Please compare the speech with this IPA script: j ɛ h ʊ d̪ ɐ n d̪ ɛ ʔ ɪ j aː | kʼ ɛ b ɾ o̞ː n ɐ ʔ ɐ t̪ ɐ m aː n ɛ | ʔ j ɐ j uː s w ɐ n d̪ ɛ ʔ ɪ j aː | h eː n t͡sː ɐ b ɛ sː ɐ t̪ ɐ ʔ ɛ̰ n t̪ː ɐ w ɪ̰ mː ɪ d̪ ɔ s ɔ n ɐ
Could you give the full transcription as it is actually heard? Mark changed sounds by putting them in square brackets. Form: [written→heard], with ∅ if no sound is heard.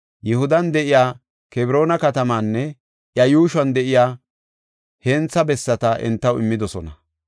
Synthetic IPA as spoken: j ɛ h ʊ d̪ ɐ n d̪ ɛ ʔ ɪ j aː | [kʼ→k] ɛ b ɾ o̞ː n ɐ [ʔ→k] ɐ t̪ ɐ m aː [n→nː] ɛ | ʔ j ɐ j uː [s→ʃ] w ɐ n d̪ ɛ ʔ ɪ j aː | h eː n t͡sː ɐ b ɛ sː ɐ t̪ ɐ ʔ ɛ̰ n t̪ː ɐ w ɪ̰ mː ɪ d̪ ɔ s ɔ n ɐ

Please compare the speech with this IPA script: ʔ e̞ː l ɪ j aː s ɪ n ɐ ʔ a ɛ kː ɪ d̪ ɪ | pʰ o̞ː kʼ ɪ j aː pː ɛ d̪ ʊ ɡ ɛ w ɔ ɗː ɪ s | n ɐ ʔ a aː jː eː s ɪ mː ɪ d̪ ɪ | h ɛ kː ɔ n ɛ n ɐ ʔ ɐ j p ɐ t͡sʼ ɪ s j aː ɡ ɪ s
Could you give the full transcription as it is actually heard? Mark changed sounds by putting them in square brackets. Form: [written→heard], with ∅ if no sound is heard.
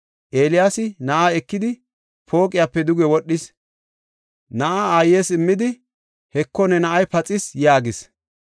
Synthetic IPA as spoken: ʔ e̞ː l ɪ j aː s ɪ n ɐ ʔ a ɛ kː ɪ d̪ ɪ | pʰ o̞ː kʼ ɪ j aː pː ɛ d̪ ʊ ɡ ɛ w ɔ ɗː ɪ s | n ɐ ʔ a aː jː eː s ɪ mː ɪ d̪ ɪ | h ɛ kː ɔ n ɛ n ɐ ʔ ɐ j p ɐ t͡sʼ ɪ s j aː ɡ ɪ s

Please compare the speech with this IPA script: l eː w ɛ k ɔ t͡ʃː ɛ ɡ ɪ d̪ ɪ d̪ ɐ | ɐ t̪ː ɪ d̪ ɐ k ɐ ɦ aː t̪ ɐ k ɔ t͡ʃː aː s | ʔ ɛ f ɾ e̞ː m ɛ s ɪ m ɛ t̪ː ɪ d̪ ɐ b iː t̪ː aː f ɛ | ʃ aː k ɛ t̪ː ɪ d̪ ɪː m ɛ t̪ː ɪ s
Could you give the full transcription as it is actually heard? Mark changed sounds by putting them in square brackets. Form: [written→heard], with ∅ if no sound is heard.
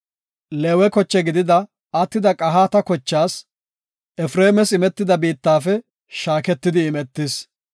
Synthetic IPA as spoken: l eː w ɛ k ɔ t͡ʃː ɛ ɡ ɪ d̪ ɪ d̪ ɐ | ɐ t̪ː ɪ d̪ ɐ [k→kʼ] ɐ ɦ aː t̪ ɐ k ɔ t͡ʃː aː s | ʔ ɛ f ɾ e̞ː m ɛ s ɪ m ɛ t̪ː ɪ d̪ ɐ b iː t̪ː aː f ɛ | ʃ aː k ɛ t̪ː ɪ d̪ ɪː m ɛ t̪ː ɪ s

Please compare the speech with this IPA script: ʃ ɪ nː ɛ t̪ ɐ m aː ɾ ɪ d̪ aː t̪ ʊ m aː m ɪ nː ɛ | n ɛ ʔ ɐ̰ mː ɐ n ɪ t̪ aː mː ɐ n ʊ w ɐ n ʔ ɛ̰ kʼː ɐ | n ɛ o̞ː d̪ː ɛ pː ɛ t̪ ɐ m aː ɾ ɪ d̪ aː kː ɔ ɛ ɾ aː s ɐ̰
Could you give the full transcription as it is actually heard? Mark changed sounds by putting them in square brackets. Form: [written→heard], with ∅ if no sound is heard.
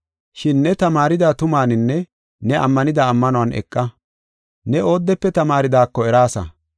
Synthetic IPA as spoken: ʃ ɪ nː ɛ t̪ ɐ m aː ɾ ɪ d̪ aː t̪ ʊ m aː [m→n] ɪ nː ɛ | n ɛ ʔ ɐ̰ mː ɐ n ɪ [t̪→d̪] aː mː ɐ n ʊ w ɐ n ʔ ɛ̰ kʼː ɐ | n ɛ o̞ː d̪ː ɛ pː ɛ t̪ ɐ m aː ɾ ɪ d̪ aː kː ɔ ɛ ɾ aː s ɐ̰

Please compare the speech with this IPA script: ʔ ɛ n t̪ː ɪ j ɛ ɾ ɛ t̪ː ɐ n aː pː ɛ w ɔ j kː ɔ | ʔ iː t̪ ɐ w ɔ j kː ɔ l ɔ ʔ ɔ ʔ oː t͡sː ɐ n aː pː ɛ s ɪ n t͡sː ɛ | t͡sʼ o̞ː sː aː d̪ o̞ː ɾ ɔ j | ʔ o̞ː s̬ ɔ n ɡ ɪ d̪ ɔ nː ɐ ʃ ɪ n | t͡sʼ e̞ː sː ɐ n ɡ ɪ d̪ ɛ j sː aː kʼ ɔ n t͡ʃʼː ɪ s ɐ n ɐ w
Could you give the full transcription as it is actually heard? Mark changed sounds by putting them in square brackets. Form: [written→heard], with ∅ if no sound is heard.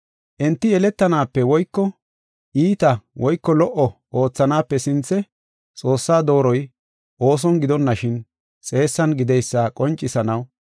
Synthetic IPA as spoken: ʔ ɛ n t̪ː ɪ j ɛ [ɾ→l] ɛ t̪ː ɐ n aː pː ɛ w ɔ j kː ɔ | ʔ iː t̪ ɐ w ɔ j kː ɔ l ɔ ʔ ɔ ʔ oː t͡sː ɐ n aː pː ɛ s ɪ n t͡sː ɛ | t͡sʼ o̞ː sː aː d̪ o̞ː ɾ ɔ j | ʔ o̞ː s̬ ɔ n ɡ ɪ d̪ ɔ nː ɐ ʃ ɪ n | t͡sʼ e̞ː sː ɐ n ɡ ɪ d̪ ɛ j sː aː kʼ ɔ n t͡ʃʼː ɪ s ɐ n ɐ w

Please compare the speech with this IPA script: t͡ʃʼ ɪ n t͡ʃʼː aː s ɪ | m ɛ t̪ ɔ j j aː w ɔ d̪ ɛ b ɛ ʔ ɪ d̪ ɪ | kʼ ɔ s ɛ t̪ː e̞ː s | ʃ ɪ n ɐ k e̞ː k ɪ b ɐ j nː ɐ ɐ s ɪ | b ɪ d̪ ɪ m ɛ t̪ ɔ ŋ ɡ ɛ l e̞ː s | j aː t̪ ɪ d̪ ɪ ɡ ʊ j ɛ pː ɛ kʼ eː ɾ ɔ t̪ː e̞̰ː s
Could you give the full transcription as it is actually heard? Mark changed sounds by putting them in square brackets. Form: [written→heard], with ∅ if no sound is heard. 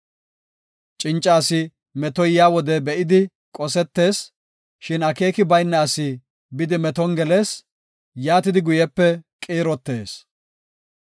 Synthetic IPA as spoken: t͡ʃʼ ɪ n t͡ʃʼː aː s ɪ | m ɛ t̪ ɔ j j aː w ɔ d̪ ɛ b ɛ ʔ ɪ d̪ ɪ | kʼ ɔ s ɛ t̪ː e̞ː s | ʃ ɪ n ɐ k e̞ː k ɪ b ɐ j nː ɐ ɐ s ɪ | b ɪ d̪ ɪ m ɛ t̪ ɔ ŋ ɡ ɛ l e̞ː s | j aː t̪ ɪ d̪ ɪ ɡ ʊ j ɛ pː ɛ kʼ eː ɾ ɔ t̪ː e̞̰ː s

